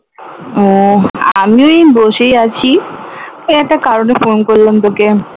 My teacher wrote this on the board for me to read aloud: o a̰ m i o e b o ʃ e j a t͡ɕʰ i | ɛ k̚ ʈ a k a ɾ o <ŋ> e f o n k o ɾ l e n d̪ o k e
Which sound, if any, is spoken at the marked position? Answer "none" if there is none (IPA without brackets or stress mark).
n